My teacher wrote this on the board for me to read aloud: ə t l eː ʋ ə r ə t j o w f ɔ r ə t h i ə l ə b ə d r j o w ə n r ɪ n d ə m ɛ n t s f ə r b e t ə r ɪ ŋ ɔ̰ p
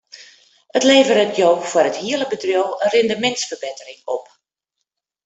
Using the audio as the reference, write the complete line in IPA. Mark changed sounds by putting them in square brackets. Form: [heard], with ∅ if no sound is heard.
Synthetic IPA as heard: ə t l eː [v] ə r ə t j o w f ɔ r ə t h i ə l ə b ə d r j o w ə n r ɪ n d ə m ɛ n t s f ə r b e t ə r ɪ ŋ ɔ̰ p